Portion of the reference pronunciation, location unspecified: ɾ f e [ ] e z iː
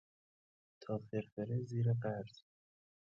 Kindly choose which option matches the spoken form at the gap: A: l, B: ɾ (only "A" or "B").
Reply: B